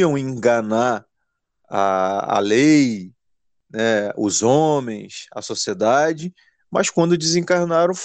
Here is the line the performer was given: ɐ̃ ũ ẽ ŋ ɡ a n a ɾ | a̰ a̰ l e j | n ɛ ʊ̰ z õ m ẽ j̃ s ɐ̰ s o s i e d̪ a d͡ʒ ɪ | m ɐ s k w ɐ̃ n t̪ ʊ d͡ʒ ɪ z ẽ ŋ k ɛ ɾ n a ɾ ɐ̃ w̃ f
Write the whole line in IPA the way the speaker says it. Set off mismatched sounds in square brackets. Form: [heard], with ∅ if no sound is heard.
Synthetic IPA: ɐ̃ [w̃] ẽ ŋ ɡ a n a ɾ | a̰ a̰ l e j | n ɛ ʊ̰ z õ m ẽ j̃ s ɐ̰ s o s i e d̪ a d͡ʒ ɪ | m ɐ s k w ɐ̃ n [d̪] ʊ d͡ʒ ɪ z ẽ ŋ k [a] ɾ n a ɾ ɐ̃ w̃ f